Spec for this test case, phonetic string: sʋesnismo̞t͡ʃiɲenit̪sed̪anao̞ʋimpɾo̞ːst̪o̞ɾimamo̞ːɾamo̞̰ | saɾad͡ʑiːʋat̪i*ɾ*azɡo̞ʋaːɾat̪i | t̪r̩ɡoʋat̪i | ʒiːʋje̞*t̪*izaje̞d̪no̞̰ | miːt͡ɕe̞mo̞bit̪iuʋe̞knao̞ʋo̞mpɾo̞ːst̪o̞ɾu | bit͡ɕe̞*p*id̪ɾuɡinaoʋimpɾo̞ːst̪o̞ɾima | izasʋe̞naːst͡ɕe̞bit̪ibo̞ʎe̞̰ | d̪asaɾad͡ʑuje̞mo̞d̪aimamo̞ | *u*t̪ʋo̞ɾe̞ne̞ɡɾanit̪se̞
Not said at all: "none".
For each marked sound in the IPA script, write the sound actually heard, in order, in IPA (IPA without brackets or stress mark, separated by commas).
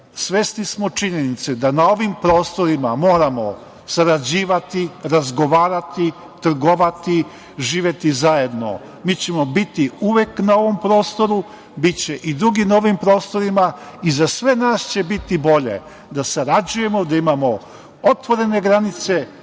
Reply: ɾ, t̪, ʔ, o